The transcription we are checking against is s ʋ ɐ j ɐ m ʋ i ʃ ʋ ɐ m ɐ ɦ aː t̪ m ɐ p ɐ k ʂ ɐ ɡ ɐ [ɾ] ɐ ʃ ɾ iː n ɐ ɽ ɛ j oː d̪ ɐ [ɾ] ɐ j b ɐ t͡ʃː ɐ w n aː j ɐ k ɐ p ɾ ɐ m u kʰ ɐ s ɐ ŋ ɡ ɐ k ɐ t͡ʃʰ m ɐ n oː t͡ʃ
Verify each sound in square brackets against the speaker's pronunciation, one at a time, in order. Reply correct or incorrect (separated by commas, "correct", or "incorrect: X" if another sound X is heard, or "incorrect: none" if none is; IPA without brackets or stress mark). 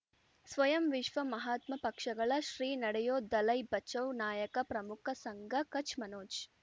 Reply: incorrect: ɭ, incorrect: l